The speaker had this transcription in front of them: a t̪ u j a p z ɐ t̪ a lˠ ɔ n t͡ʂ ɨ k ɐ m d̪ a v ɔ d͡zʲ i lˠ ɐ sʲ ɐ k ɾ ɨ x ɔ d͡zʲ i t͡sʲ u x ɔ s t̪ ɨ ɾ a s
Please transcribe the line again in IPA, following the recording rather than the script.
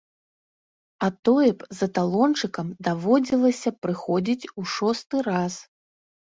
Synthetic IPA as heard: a t̪ ɔ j ɛ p z ɐ t̪ a lˠ ɔ n t͡ʂ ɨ k ɐ m d̪ a v ɔ d͡zʲ i lˠ ɐ sʲ ɐ p ɾ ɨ x ɔ d͡zʲ i t͡sʲ u ʂ ɔ s t̪ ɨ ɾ a s